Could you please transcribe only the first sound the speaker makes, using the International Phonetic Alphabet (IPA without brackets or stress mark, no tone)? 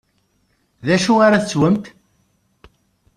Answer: ð